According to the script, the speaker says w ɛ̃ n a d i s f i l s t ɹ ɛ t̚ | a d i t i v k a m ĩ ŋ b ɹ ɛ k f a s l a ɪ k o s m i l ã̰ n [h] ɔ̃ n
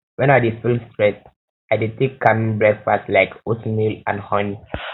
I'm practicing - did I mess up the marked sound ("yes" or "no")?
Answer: no